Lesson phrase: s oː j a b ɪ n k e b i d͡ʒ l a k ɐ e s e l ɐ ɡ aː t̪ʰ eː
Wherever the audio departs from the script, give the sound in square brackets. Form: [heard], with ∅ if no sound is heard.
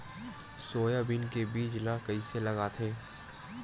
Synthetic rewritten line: s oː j a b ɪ n k e b [iː] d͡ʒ l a k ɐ [i] s e l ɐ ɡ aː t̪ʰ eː